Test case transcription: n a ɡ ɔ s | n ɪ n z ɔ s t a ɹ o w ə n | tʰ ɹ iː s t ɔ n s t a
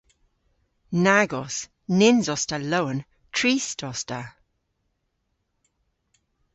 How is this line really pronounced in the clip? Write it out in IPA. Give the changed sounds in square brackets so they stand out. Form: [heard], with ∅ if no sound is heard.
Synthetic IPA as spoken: n a ɡ ɔ s | n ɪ n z ɔ s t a [l] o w ə n | tʰ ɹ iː s t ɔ [∅] s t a